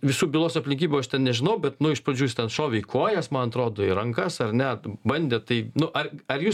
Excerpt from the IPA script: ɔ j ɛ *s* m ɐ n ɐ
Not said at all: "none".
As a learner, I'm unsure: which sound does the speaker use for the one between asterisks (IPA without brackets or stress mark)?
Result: s